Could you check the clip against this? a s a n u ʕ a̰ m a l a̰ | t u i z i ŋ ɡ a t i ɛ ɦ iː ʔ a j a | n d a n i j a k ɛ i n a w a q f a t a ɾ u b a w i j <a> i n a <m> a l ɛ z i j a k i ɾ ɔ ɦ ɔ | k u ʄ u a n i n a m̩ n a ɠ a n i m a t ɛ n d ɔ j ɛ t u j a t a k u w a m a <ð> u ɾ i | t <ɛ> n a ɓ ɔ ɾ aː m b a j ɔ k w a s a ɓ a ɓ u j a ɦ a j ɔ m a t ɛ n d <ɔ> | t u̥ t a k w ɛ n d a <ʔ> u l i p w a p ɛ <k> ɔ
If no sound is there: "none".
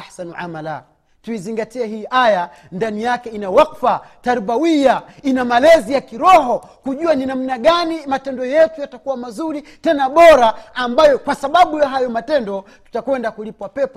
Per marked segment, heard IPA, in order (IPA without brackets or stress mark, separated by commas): a, m, z, ɛ, ɔ, k, p